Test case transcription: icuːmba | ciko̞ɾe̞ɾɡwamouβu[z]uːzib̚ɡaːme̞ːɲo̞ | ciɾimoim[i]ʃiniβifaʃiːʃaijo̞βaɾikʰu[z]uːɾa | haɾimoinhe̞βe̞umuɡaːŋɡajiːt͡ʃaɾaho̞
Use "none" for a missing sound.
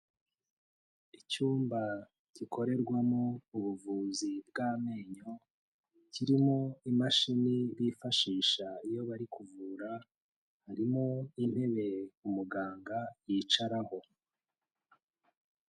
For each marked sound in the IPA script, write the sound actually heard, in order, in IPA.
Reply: v, a, v

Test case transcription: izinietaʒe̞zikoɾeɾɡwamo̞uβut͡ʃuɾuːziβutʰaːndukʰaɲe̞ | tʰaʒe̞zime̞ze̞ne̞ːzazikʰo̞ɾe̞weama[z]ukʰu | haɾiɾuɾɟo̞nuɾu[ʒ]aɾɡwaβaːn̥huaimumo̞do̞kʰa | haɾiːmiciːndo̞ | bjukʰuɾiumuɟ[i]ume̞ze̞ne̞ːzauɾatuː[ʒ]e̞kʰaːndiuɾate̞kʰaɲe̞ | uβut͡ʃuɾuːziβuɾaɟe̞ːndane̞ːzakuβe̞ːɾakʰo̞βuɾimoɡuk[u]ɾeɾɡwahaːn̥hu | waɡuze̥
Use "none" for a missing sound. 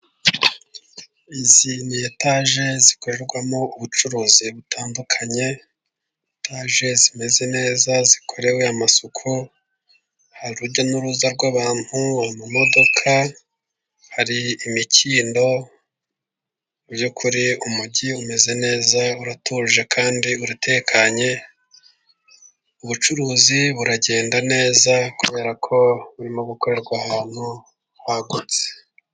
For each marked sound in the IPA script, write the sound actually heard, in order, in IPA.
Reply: s, z, i, ʒ, o

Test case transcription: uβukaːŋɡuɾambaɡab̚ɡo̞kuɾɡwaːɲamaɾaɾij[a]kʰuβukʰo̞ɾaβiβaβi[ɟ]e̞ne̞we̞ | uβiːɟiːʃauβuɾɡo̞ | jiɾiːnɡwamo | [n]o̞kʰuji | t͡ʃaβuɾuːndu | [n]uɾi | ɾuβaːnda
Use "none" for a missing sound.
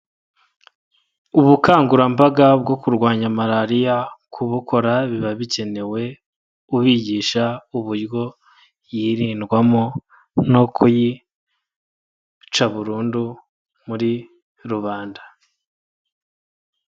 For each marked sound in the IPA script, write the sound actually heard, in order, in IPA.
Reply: a, c, n, m

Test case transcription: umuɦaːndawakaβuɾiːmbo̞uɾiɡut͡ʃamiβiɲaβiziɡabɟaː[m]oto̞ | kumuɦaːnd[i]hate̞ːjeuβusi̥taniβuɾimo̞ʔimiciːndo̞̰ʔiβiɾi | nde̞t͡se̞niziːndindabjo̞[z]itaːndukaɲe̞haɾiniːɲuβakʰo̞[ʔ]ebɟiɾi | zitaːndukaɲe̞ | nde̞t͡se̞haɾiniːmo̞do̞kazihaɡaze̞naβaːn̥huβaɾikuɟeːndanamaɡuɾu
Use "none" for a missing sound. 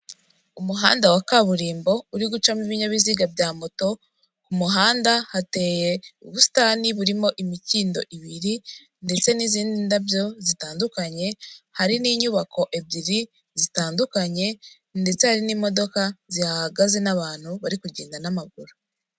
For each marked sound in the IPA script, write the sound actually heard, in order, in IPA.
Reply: m, a, z, ʔ

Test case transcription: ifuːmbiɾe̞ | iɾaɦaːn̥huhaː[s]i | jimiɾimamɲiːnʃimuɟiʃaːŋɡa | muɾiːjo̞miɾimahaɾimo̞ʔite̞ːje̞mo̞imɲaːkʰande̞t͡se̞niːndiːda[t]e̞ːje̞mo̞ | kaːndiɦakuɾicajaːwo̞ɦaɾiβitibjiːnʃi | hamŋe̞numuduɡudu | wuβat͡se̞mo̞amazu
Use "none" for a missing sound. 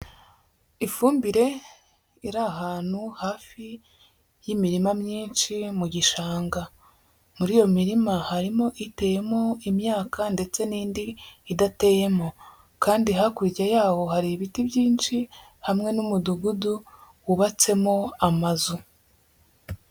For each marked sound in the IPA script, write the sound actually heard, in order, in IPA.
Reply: f, t

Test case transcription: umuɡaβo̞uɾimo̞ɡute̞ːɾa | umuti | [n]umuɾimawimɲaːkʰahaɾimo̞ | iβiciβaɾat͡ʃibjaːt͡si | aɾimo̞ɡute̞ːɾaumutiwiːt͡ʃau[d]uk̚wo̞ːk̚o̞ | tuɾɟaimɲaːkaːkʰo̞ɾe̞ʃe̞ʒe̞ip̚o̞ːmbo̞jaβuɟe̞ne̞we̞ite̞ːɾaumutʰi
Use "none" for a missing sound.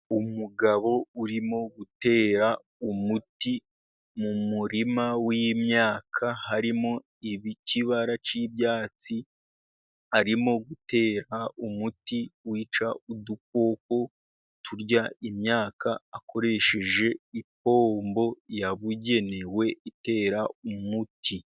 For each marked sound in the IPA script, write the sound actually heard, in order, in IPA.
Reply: m, d

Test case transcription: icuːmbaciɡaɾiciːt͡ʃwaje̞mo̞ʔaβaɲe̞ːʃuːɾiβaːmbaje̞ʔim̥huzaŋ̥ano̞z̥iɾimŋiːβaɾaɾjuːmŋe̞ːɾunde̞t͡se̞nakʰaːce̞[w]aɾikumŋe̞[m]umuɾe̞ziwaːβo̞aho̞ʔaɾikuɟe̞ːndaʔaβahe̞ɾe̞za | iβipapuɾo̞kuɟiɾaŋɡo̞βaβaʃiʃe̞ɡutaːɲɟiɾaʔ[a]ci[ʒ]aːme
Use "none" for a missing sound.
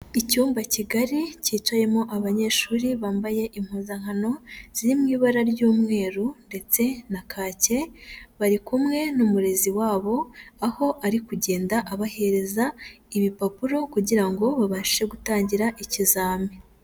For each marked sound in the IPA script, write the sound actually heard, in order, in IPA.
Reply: β, n, i, z

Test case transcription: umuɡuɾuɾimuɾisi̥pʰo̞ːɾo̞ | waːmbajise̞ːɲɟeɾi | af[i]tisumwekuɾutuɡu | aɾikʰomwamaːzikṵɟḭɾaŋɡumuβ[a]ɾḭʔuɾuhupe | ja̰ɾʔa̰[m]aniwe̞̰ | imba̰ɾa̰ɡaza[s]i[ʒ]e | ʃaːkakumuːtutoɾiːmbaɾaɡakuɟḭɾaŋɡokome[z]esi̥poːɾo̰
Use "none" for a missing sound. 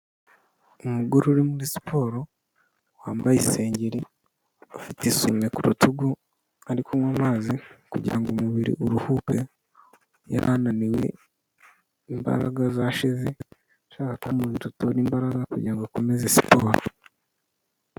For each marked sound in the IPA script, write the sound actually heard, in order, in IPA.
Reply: i, i, n, ʃ, z, z

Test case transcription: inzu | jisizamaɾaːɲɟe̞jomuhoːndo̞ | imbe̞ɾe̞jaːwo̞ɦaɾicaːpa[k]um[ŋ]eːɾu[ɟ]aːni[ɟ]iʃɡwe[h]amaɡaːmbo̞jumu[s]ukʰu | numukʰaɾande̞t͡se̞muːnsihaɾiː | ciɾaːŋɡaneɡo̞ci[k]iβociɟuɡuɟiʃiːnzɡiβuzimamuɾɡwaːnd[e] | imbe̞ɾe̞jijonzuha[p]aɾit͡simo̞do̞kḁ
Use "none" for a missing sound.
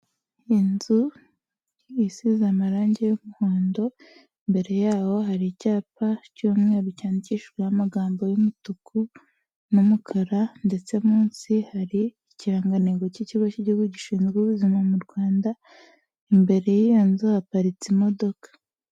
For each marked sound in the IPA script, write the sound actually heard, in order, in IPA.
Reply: c, ŋ, c, c, h, t, c, a, p

